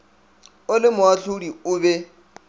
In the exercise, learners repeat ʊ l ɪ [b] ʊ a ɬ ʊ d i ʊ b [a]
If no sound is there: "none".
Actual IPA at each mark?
m, ɛ

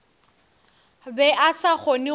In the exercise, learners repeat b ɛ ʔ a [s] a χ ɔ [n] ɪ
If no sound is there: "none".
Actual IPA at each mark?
s, n

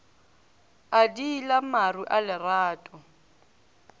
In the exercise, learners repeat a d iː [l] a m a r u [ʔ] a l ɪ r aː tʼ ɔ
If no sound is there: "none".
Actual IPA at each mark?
l, ʔ

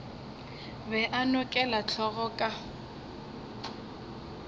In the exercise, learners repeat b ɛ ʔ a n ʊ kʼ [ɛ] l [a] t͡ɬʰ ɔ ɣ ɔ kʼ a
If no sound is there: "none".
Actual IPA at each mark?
ɛ, a

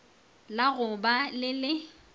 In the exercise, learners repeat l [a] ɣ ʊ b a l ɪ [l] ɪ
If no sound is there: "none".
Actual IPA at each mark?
a, l

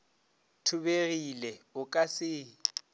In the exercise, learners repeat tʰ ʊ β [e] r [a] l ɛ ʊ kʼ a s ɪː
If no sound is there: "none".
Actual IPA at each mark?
e, i

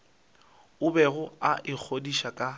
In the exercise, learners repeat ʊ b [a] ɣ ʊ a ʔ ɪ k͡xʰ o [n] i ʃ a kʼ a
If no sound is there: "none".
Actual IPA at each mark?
ɛ, d

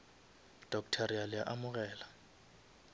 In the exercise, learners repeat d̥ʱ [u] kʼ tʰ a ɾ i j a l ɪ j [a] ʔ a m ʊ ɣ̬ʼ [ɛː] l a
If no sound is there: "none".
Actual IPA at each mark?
ɔ, a, ɛː

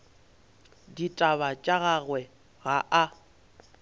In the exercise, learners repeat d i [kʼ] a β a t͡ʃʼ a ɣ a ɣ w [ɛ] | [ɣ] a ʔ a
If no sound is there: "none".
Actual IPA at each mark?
tʼ, ɛ, ɣ

